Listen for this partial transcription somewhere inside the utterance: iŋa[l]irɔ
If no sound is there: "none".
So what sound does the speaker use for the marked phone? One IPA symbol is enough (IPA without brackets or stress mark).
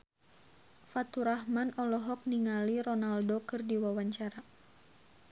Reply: l